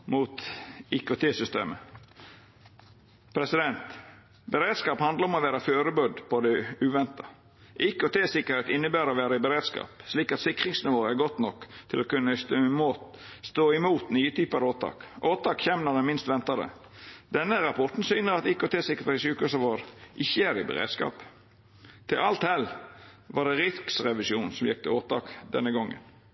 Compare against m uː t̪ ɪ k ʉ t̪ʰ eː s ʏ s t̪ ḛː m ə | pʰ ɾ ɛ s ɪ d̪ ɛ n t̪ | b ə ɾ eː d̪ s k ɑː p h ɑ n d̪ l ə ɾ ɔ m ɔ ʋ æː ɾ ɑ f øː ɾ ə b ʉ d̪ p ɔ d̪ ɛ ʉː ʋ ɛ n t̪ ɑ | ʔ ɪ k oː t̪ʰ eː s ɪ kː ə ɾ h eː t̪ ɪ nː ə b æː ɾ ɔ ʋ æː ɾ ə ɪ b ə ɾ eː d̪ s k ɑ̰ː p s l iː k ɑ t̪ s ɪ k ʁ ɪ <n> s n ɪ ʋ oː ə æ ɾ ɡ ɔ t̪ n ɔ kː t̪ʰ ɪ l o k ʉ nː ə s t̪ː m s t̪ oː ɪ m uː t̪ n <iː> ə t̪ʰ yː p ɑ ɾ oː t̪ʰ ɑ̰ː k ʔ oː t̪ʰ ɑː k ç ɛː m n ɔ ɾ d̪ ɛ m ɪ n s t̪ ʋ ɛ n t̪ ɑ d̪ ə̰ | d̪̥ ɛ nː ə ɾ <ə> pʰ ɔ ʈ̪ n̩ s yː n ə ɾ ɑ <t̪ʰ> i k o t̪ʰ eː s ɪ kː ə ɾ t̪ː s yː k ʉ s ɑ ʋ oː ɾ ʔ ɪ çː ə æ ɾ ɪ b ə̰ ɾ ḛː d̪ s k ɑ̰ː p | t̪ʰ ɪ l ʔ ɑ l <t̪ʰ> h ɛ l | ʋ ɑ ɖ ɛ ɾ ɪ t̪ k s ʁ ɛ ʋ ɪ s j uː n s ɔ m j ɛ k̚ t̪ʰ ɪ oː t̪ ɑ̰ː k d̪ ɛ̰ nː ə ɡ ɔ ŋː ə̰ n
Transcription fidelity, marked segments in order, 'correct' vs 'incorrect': incorrect: ŋ, incorrect: yː, incorrect: ɑ, incorrect: t̪, incorrect: t̪

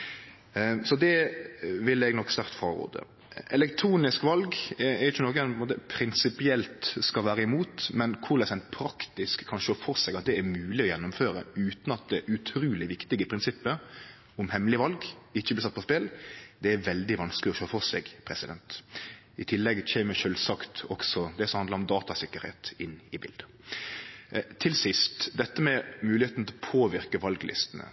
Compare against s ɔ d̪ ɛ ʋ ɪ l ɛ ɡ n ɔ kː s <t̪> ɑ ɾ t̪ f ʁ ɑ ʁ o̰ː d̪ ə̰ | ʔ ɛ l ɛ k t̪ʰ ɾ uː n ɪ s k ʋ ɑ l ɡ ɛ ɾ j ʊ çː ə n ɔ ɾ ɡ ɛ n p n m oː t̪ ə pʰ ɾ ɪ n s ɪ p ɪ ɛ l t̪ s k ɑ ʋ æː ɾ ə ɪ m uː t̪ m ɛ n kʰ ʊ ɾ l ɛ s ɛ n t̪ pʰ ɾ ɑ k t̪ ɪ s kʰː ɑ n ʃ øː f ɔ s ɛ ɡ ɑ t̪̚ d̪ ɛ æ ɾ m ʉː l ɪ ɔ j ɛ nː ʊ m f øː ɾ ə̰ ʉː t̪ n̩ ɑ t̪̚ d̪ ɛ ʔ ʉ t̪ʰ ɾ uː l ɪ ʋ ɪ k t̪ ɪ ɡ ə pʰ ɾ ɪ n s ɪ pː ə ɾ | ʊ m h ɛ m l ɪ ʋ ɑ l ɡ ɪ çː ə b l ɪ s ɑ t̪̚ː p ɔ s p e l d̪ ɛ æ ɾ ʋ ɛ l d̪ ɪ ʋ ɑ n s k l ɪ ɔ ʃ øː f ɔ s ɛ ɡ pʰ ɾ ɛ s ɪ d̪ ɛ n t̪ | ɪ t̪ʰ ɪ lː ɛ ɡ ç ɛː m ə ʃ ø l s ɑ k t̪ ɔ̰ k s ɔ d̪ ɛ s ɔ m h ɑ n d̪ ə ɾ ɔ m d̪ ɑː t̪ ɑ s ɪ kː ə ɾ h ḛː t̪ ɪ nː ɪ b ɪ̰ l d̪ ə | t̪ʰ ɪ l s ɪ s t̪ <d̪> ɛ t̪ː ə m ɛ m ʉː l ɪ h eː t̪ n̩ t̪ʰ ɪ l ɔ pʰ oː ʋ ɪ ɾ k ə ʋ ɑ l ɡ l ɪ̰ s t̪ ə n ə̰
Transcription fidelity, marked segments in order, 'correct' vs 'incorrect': correct, correct

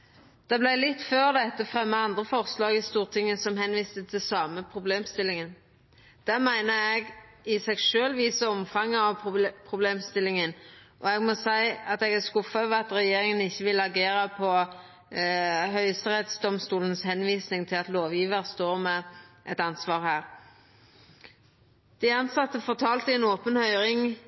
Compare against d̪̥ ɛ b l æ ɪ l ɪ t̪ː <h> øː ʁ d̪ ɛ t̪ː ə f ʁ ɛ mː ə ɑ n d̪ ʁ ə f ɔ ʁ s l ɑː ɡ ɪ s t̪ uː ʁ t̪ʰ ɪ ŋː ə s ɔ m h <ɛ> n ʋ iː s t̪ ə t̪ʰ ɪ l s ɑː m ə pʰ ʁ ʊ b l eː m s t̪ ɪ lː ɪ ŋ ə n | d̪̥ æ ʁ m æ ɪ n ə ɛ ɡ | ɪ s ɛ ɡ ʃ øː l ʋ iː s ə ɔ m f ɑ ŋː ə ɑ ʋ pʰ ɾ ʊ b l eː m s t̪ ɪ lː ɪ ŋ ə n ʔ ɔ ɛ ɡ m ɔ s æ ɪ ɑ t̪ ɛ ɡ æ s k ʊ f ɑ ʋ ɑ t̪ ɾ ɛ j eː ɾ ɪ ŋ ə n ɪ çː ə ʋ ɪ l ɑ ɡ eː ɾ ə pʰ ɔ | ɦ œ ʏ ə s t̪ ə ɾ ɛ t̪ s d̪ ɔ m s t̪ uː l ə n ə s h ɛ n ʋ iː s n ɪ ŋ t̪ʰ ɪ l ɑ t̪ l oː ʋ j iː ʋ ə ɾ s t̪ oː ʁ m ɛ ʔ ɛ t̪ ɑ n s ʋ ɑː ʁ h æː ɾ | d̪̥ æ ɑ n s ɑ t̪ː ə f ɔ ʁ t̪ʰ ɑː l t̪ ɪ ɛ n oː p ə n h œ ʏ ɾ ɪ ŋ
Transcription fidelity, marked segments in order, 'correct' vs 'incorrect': incorrect: f, correct

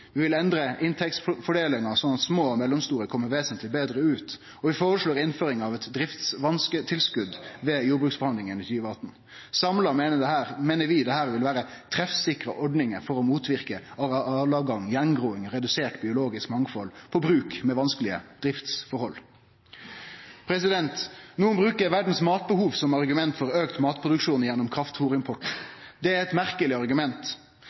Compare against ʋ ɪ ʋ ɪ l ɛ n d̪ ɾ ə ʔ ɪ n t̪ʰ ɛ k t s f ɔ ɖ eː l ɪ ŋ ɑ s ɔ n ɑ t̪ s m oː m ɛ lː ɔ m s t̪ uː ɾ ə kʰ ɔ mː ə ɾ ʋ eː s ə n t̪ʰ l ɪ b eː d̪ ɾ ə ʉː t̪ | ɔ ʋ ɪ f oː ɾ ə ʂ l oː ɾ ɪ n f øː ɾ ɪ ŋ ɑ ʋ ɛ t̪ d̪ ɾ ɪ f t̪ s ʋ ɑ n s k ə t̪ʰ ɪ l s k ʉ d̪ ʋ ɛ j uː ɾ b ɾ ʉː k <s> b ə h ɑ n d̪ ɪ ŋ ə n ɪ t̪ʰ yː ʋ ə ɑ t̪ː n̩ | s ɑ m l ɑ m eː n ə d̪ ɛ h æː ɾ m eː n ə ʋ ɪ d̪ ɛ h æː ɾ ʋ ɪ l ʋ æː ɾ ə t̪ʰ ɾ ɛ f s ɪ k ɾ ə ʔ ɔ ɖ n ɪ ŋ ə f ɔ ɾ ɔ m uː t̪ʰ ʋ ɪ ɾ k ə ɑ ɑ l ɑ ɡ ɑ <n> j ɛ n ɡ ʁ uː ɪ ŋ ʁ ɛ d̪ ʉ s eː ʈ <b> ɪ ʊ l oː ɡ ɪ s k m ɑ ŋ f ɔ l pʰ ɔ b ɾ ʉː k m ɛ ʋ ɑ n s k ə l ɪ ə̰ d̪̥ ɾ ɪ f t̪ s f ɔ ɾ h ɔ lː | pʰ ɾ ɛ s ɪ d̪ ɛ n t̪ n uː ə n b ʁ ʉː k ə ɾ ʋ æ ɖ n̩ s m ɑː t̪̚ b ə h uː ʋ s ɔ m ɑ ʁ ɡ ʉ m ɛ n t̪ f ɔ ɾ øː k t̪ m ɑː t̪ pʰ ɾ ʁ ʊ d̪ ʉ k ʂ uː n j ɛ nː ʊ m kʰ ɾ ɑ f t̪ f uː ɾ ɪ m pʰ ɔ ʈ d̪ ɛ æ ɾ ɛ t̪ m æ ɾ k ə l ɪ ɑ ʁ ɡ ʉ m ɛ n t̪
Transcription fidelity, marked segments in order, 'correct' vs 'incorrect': correct, incorrect: ŋ, correct

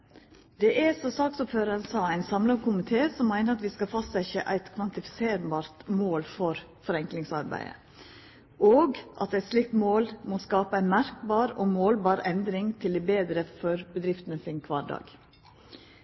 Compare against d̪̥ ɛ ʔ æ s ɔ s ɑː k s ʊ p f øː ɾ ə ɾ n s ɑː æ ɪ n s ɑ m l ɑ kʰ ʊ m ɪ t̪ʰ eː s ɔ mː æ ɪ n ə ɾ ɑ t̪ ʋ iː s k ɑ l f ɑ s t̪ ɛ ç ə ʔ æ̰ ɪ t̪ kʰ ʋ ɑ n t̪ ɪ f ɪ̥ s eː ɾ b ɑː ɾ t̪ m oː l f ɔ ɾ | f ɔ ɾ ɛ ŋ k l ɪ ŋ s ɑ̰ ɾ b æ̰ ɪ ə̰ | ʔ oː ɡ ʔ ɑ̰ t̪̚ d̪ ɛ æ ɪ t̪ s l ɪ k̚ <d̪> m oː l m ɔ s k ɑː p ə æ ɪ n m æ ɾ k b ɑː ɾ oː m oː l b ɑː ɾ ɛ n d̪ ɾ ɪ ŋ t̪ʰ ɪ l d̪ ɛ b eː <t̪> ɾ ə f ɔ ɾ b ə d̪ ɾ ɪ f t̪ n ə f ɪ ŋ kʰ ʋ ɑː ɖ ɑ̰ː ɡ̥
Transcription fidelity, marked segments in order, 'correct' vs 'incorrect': incorrect: t̪, incorrect: d̪

